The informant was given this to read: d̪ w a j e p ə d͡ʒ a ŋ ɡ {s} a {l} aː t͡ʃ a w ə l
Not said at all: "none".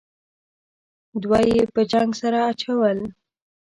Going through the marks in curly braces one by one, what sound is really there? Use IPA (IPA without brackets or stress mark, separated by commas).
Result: s, ɾ